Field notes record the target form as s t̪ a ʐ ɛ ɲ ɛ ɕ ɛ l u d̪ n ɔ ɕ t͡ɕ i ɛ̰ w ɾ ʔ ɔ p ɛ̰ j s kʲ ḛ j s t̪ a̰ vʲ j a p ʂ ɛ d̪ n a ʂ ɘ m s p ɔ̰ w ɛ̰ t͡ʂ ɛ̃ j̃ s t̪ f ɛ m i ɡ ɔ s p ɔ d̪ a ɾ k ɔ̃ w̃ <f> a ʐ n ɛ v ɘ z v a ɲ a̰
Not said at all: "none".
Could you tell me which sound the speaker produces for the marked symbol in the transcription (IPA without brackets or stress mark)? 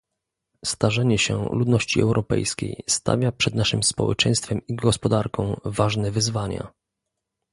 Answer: v